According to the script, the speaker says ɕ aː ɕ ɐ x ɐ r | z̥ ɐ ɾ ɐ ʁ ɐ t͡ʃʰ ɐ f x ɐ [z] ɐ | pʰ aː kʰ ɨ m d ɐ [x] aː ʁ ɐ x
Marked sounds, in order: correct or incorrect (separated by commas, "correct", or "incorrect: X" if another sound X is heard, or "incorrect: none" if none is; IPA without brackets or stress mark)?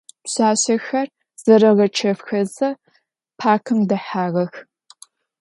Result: correct, incorrect: ħ